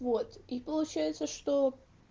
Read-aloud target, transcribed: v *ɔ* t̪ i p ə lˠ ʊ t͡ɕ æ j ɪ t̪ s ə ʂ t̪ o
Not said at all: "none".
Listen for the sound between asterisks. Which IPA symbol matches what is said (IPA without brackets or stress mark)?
o